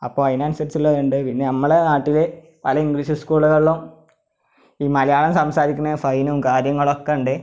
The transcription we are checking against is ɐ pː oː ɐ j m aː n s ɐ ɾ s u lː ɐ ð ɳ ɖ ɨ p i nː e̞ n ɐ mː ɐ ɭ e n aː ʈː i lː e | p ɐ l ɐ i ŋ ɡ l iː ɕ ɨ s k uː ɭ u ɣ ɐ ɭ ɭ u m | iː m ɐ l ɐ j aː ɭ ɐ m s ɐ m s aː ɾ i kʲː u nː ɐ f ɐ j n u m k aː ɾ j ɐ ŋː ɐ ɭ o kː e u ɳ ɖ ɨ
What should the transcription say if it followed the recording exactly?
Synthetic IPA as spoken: ɐ pː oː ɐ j n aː n s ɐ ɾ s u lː ɐ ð ɳ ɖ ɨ p i nː e̞ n ɐ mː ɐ ɭ e n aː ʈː i l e | p ɐ l ɐ i ŋ ɡ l iː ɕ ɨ s k uː ɭ u ɣ ɐ ɭ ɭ u m | iː m ɐ l ɐ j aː ɭ ɐ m s ɐ m s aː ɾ i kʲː u nː ɐ f ɐ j n u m k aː ɾ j ɐ ŋː ɐ ɭ o kː e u ɳ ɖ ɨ